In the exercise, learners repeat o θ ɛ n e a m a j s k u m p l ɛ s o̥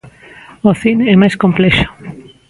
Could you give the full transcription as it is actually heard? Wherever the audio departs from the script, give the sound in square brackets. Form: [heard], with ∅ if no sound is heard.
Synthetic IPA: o θ [i] n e [ɛ] m a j s k [o] m p l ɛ [ʃ] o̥